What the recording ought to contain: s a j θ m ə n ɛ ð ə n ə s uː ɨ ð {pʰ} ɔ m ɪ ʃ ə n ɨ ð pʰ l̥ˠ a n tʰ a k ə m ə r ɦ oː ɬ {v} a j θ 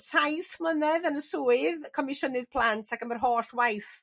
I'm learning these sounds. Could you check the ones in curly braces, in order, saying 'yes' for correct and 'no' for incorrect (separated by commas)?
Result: no, no